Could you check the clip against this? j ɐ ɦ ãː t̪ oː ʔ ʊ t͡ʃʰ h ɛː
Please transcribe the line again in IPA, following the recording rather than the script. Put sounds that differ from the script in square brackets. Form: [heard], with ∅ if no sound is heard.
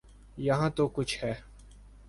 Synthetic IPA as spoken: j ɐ ɦ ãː t̪ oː [k] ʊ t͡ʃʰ h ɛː